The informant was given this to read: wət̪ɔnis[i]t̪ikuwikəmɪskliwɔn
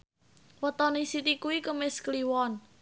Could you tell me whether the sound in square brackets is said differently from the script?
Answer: no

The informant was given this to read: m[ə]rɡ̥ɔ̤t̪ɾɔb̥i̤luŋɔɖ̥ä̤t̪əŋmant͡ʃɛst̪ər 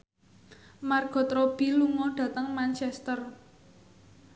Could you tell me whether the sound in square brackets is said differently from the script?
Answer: yes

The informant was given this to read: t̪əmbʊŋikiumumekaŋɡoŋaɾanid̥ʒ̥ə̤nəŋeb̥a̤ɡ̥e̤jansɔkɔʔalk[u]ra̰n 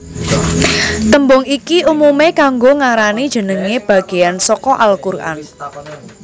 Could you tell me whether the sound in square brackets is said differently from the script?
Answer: no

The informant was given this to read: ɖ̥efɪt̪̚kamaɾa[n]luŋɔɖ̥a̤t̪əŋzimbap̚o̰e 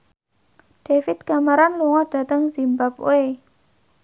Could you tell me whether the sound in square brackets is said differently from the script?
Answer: no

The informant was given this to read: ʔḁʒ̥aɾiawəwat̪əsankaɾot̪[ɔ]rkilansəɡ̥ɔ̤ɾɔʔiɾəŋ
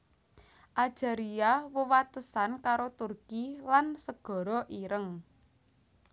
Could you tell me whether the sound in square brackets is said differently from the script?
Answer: yes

